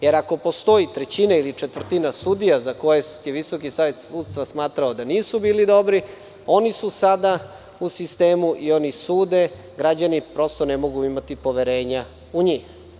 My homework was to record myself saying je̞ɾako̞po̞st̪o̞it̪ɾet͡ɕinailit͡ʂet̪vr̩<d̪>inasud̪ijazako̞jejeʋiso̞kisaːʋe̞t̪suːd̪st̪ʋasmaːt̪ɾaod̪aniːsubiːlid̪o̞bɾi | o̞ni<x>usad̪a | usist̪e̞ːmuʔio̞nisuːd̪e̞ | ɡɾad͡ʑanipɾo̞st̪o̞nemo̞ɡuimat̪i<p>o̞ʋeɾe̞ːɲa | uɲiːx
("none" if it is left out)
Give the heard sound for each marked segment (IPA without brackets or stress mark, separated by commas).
t̪, s, p